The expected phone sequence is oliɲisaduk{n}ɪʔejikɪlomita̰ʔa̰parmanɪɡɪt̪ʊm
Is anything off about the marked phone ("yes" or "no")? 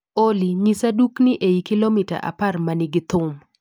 no